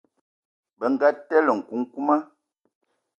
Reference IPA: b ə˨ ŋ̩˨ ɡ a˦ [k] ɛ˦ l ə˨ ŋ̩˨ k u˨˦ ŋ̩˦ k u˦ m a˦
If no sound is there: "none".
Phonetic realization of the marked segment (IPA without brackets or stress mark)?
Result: t